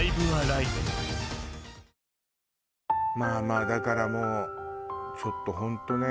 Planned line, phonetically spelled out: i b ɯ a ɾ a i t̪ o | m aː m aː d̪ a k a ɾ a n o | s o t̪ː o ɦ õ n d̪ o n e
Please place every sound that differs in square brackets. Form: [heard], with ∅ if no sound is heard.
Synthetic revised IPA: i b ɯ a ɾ a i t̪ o | m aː m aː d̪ a k a ɾ a [m] o | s o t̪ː o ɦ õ n [t̪] o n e